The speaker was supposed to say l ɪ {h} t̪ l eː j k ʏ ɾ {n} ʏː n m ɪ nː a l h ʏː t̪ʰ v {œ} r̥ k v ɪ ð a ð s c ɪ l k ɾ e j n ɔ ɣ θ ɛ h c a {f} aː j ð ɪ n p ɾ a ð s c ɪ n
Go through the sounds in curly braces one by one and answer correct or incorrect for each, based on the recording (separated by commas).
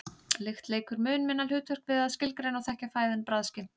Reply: incorrect, incorrect, correct, correct